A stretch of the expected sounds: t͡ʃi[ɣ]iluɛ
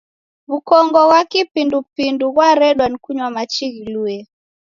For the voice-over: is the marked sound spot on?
yes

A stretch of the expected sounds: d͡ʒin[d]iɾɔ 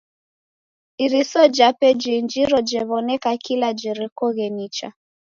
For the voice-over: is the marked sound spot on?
no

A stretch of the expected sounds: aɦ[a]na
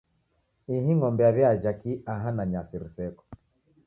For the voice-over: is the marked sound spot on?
yes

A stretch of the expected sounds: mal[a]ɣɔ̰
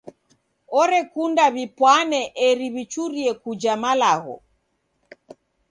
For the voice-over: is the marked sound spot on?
yes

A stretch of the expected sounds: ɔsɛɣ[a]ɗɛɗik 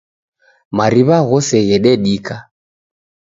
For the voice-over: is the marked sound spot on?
no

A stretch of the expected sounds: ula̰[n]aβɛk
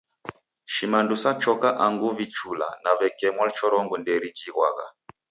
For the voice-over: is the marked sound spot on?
yes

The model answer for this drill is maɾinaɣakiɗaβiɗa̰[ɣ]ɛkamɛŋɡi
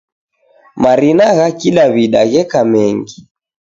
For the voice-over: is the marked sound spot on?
yes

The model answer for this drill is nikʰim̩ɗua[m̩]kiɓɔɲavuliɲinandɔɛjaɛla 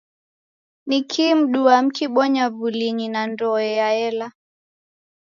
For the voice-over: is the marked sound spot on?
yes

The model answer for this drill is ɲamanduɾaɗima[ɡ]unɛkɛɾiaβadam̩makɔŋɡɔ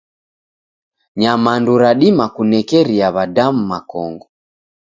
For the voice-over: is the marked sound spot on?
no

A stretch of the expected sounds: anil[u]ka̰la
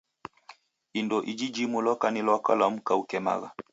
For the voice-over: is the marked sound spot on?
no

